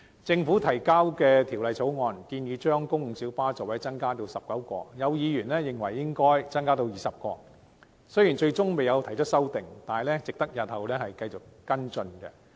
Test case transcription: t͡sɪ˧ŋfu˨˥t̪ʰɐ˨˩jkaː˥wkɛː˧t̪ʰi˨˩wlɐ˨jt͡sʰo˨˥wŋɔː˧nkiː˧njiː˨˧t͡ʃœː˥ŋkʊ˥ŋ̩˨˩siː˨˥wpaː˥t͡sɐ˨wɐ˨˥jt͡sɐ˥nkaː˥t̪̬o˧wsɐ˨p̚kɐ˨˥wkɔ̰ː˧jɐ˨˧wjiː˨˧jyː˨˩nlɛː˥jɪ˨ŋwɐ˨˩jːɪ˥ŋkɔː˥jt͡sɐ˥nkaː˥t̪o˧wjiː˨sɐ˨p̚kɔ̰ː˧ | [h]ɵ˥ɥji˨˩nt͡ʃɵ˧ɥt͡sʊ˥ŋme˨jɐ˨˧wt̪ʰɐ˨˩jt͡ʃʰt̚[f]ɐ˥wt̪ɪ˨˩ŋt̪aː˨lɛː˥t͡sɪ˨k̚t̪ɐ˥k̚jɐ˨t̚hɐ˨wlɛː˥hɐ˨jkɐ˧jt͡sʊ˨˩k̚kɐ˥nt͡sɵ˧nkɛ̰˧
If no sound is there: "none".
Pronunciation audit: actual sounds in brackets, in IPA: s, s

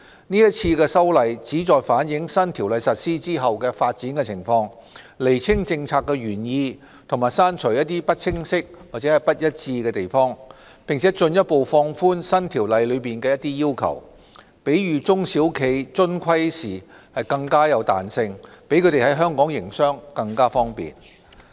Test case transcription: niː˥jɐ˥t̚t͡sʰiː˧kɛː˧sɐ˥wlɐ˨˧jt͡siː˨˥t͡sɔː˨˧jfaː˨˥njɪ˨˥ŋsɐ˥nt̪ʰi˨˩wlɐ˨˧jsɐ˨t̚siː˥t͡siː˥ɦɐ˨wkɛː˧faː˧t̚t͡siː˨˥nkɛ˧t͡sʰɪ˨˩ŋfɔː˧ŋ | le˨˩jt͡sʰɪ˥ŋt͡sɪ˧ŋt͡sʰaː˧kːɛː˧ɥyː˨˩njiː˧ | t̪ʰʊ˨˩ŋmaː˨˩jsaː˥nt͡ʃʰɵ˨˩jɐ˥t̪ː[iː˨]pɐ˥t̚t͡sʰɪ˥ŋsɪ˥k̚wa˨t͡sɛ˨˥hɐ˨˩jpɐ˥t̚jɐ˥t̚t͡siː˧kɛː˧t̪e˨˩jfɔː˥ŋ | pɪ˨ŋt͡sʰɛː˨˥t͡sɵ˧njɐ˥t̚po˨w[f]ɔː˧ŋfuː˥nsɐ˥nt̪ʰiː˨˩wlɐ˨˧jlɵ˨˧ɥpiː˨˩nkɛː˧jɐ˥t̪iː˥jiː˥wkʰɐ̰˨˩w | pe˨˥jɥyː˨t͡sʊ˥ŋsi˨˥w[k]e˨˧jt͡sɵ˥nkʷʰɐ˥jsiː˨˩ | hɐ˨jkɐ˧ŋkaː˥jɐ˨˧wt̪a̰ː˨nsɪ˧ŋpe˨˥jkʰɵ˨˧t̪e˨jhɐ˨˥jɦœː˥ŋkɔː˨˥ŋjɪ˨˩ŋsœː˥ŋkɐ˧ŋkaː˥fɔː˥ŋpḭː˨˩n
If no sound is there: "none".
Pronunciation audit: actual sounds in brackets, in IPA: iː˥, f, kʰ

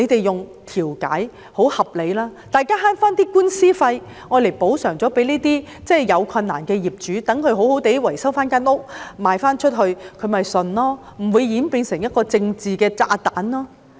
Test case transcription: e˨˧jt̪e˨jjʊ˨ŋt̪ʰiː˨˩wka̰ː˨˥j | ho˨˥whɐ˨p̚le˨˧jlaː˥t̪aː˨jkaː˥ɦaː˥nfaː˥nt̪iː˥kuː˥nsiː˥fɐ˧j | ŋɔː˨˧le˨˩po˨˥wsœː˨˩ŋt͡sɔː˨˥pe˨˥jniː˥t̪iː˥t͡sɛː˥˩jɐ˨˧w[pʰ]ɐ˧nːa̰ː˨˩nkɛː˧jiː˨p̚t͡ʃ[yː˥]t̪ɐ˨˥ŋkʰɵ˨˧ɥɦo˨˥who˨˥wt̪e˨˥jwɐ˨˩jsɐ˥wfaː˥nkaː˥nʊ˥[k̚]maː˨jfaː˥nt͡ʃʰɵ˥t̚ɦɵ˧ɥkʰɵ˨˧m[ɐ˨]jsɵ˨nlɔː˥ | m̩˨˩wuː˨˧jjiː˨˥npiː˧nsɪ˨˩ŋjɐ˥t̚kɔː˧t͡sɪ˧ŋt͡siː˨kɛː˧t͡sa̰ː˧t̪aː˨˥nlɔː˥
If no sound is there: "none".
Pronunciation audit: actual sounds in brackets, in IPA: kʰ, yː˨˥, k̚, ɐ˨

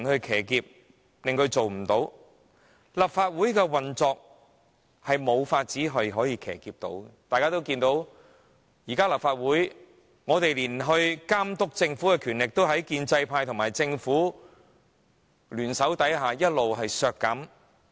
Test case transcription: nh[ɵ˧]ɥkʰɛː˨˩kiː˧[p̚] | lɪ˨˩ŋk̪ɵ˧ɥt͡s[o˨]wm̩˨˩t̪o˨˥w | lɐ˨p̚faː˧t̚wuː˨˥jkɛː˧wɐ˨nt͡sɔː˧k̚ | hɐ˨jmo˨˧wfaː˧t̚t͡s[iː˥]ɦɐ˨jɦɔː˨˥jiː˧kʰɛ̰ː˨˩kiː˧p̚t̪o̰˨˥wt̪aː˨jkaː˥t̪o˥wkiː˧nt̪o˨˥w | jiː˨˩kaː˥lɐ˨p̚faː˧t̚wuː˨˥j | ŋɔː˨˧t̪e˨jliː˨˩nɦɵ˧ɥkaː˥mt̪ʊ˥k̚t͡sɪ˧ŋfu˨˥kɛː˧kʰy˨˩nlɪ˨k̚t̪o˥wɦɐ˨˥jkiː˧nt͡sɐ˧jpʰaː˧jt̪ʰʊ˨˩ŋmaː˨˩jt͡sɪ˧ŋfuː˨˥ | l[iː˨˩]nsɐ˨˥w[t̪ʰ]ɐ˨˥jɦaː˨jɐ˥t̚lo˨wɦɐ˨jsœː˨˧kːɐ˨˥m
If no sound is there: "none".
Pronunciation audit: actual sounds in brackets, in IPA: ɵ˧, p̚, o˨, iː˨˥, yː˨˩, t̪

